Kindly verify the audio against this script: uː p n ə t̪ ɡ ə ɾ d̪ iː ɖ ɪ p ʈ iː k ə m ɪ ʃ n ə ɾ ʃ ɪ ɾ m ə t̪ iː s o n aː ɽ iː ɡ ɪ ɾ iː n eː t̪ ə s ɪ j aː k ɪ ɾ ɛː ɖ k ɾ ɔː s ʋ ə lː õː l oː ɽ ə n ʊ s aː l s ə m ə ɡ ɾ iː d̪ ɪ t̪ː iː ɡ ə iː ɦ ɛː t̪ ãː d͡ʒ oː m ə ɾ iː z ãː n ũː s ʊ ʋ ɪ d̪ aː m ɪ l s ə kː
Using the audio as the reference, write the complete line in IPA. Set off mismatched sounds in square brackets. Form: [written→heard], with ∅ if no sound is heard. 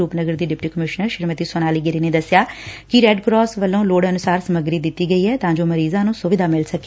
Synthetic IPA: uː p n ə [t̪→∅] ɡ ə ɾ d̪ iː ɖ ɪ p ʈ iː k ə m ɪ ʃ n ə ɾ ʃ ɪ ɾ m ə t̪ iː s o n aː [ɽ→l] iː ɡ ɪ ɾ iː n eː [t̪→d̪] ə s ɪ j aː k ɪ ɾ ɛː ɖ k ɾ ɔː s ʋ ə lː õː l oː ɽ ə n ʊ s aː [l→ɾ] s ə m ə ɡ ɾ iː d̪ ɪ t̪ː iː ɡ ə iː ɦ ɛː t̪ ãː d͡ʒ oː m ə ɾ iː z ãː n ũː s ʊ ʋ ɪ d̪ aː m ɪ l s ə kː